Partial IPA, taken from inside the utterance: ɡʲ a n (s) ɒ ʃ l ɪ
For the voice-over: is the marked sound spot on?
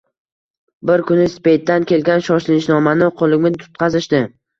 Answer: no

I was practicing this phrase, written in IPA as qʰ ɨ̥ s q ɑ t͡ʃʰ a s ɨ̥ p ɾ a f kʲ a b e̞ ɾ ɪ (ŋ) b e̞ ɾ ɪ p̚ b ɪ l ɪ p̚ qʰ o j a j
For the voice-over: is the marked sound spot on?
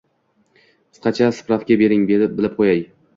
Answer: yes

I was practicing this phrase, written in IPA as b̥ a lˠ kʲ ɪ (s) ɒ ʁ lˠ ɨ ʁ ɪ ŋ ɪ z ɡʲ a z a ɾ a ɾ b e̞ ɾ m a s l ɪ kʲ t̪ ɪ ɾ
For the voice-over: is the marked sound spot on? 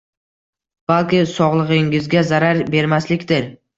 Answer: yes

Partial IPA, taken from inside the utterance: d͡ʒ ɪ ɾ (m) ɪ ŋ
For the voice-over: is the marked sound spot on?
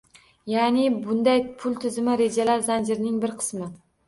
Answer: no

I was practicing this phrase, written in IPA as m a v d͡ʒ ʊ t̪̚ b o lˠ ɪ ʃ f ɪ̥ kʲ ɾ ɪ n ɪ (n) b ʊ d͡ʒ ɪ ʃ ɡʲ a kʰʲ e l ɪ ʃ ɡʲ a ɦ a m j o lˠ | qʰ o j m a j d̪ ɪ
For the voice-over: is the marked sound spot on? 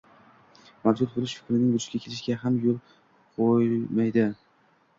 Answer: no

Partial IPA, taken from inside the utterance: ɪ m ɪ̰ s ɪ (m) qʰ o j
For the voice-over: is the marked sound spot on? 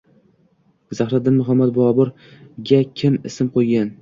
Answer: yes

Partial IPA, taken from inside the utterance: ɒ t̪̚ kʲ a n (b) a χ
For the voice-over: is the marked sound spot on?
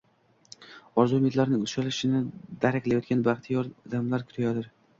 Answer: yes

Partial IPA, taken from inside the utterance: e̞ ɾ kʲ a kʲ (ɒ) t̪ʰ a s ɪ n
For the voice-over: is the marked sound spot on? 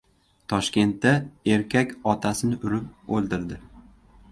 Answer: yes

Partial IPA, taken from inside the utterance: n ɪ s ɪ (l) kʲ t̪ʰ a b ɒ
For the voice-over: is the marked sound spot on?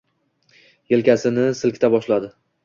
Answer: yes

